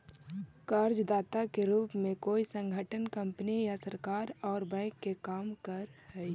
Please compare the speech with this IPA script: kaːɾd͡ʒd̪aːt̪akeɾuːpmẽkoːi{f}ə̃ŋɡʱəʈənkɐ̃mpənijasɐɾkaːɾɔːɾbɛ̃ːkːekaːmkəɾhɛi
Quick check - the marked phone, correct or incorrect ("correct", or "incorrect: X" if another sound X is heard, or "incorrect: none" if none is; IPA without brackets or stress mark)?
incorrect: s